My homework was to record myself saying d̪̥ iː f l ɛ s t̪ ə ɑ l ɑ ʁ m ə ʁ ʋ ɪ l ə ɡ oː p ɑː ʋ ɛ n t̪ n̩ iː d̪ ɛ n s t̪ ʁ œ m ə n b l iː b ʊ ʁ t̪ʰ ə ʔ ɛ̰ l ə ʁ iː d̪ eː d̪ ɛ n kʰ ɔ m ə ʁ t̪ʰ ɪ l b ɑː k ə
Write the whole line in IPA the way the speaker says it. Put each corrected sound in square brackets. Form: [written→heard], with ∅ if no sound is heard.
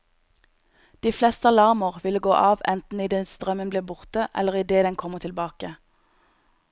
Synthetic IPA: d̪̥ iː f l ɛ s t̪ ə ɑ l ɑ ʁ m ə ʁ ʋ ɪ l ə ɡ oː [p→ʔ] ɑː ʋ ɛ n t̪ n̩ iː d̪ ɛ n s t̪ ʁ œ m ə n b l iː b ʊ ʁ [t̪ʰ→t̪] ə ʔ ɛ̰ l ə ʁ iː d̪ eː d̪ ɛ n kʰ ɔ m ə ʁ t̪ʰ ɪ l b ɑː k ə